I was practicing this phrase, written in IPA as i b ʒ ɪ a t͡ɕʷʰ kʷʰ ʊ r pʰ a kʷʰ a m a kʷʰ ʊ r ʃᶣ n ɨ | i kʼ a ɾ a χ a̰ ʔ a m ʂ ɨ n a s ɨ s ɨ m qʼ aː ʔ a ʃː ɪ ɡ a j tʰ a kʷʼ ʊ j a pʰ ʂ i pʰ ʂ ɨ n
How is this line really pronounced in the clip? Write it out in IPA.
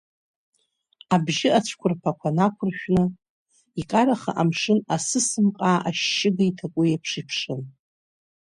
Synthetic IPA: a b ʒ ɪ a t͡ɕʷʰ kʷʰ ʊ r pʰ a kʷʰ a n a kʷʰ ʊ r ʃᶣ n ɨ | i kʼ a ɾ a χ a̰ ʔ a m ʂ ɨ n a s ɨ s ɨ m qʼ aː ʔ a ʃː ɪ ɡ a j tʰ a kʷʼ ʊ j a pʰ ʂ i pʰ ʂ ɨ n